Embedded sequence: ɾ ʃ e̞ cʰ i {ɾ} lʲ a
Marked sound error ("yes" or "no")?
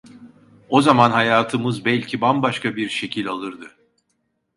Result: yes